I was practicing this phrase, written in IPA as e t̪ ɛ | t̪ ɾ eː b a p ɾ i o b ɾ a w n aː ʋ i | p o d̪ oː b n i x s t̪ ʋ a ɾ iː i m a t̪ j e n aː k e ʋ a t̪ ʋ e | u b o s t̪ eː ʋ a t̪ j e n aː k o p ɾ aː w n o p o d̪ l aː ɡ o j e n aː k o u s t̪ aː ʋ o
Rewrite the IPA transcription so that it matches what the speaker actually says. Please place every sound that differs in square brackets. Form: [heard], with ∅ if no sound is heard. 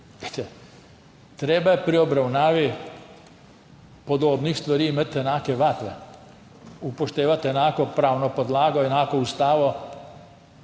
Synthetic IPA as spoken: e t̪ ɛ | t̪ ɾ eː b a p ɾ i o b ɾ a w n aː ʋ i | p o d̪ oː b n i x s t̪ ʋ a ɾ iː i m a t̪ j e n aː k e ʋ a t̪ ʋ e | u [p] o [ʃ] t̪ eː ʋ a t̪ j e n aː k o p ɾ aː w n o p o d̪ l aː ɡ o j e n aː k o u s t̪ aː ʋ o